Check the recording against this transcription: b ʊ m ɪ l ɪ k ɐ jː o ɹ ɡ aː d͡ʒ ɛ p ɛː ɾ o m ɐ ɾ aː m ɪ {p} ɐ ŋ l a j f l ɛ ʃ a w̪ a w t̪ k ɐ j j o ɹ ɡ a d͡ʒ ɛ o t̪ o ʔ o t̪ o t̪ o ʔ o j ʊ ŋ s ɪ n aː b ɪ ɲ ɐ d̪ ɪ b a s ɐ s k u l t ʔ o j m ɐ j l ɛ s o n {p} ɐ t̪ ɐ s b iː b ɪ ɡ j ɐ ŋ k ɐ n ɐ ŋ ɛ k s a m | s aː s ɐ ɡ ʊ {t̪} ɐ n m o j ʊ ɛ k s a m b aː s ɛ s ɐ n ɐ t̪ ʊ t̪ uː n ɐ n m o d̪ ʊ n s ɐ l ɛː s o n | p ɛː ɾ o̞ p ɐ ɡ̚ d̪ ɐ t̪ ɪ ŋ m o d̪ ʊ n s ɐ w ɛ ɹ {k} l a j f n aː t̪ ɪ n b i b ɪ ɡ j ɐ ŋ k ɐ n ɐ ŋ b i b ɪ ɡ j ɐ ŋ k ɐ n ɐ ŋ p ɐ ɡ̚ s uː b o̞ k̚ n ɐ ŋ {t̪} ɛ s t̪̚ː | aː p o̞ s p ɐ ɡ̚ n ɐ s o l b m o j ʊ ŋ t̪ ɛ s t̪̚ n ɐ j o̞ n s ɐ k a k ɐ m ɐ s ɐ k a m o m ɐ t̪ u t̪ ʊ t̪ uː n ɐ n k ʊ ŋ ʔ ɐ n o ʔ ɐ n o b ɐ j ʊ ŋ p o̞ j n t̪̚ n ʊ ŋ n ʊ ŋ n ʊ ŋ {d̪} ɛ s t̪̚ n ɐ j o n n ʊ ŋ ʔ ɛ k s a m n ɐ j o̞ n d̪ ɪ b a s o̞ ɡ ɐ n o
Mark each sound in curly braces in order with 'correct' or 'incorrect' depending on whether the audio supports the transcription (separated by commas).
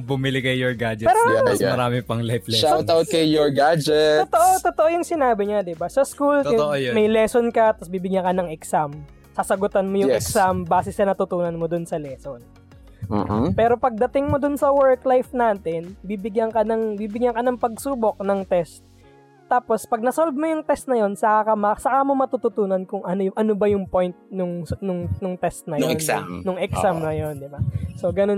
correct, incorrect, correct, correct, correct, incorrect